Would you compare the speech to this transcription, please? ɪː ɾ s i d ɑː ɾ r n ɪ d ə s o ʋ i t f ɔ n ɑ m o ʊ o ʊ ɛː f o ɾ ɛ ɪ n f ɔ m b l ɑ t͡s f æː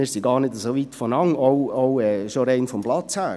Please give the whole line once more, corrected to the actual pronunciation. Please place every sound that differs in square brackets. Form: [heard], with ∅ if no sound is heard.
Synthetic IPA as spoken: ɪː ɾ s i [ɡ] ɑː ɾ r n ɪ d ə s o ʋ i t f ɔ n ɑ [ŋ] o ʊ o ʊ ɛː [ʃ] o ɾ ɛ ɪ n f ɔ m b l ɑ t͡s [h] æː